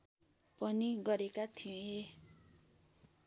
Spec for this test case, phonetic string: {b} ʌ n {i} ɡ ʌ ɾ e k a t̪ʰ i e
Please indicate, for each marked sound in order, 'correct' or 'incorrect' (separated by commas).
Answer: incorrect, correct